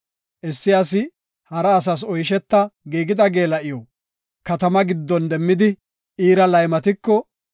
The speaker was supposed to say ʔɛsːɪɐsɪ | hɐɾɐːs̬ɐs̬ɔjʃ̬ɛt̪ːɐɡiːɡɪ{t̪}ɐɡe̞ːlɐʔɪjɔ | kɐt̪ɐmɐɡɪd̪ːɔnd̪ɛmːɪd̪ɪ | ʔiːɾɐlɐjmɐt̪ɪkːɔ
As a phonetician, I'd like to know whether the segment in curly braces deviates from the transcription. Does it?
yes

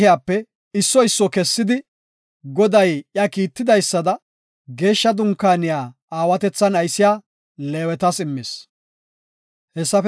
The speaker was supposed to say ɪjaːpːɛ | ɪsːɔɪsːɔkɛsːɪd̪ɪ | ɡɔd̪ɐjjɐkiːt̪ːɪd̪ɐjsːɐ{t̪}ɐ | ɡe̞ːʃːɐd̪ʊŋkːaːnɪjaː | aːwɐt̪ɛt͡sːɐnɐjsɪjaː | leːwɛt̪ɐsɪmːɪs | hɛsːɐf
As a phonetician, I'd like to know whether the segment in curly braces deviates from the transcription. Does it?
yes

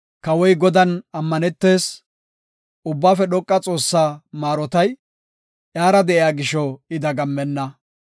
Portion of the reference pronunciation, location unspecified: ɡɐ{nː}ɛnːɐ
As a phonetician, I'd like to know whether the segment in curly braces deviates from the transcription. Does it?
yes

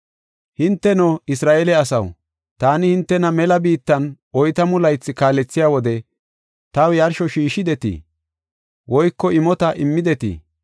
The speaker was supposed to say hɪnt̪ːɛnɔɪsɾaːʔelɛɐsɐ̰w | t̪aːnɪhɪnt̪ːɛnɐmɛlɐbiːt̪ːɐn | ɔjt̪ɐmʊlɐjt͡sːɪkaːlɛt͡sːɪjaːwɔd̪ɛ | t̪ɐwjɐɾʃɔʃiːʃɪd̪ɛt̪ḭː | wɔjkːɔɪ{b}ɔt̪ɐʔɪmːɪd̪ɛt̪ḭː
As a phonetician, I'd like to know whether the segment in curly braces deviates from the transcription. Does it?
yes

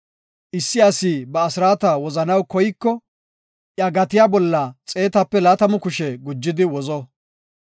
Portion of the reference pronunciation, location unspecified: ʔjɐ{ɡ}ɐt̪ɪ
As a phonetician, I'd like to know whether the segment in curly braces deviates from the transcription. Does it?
no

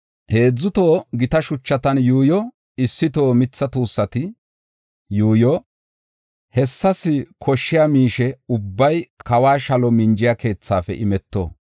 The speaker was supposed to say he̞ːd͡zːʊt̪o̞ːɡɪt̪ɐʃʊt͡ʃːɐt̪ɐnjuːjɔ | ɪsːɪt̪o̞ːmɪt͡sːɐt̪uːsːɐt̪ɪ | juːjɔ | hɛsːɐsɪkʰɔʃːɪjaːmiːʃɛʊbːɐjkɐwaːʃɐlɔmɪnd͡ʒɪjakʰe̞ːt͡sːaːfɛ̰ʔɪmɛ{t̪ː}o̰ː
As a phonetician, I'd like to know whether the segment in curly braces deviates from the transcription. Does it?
no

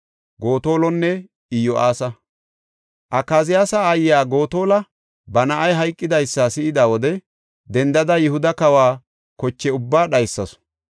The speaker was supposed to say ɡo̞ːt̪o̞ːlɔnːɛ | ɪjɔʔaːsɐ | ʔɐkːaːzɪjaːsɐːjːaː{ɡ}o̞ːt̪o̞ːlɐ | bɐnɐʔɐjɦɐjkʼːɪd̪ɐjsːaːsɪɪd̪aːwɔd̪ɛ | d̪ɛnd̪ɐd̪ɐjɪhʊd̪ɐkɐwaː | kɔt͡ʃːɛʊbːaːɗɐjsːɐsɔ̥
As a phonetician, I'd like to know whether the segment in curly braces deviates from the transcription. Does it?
no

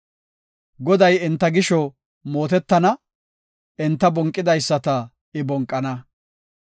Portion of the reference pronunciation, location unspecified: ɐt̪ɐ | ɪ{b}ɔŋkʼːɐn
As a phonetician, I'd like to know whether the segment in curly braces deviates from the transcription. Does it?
no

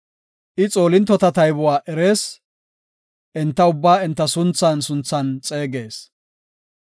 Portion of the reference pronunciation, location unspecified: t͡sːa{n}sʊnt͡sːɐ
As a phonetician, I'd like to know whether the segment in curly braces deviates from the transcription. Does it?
no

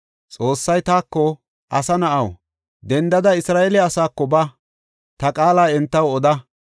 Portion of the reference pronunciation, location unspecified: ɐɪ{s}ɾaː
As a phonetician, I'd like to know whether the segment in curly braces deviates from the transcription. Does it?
no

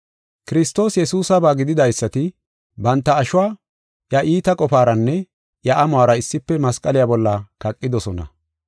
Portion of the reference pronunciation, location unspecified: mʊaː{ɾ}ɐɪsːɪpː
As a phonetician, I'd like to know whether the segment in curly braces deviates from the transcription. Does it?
no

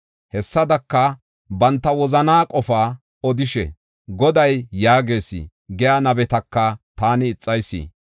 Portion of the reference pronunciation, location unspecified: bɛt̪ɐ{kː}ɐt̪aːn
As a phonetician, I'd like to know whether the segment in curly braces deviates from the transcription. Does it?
no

